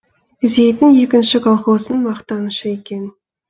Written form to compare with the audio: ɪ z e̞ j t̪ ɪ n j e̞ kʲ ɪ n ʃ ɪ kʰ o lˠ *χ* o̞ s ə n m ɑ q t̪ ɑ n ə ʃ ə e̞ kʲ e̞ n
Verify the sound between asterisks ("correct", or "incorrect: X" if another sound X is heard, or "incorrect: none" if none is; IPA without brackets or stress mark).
correct